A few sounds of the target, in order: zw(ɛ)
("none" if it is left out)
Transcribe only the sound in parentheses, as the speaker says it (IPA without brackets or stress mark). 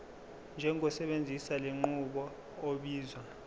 a